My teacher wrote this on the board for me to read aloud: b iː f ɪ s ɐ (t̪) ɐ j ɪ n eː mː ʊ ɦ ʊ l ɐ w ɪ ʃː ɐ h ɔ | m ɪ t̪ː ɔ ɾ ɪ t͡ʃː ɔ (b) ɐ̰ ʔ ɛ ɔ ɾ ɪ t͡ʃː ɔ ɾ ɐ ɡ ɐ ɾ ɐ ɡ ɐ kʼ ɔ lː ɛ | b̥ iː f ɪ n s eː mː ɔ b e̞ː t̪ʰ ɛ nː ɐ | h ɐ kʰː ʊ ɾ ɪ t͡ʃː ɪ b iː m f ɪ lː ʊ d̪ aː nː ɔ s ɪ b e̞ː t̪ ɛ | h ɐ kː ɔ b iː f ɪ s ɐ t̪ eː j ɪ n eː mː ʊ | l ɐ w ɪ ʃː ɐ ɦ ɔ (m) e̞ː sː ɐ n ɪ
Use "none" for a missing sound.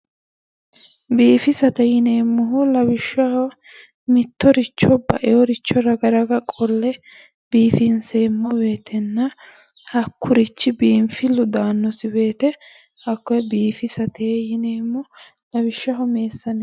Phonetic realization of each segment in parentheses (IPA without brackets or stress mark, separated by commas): t̪, b, m